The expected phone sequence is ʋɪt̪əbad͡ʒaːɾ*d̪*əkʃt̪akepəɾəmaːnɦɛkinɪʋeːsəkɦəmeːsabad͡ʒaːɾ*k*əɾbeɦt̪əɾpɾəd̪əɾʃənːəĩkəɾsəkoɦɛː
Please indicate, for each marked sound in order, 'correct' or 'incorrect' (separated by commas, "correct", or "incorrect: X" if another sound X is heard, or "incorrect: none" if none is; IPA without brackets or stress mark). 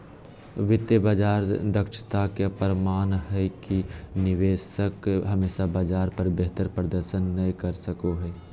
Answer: correct, incorrect: p